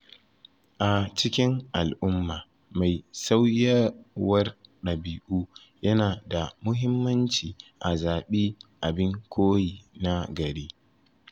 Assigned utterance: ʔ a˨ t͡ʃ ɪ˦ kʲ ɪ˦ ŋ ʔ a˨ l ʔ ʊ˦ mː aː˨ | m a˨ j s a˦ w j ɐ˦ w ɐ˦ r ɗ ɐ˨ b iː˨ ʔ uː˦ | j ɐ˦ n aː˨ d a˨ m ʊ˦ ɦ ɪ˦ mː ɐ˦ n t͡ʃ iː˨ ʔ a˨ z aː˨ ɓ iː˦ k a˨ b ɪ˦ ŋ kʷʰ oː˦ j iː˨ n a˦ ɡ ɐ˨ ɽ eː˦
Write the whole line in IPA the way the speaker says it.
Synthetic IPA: ʔ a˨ t͡ʃ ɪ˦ kʲ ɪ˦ ŋ ʔ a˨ l ʔ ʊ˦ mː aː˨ | m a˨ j s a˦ w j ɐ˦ w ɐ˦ r ɗ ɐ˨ b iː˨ ʔ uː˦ | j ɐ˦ n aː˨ d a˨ m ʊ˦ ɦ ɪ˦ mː ɐ˦ n t͡ʃ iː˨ ʔ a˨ z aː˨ ɓ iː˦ ʔ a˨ b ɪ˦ ŋ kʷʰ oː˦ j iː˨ n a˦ ɡ ɐ˨ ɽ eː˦